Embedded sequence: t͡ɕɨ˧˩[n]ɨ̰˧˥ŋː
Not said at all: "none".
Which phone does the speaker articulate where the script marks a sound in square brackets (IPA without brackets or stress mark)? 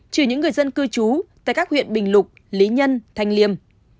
ɲ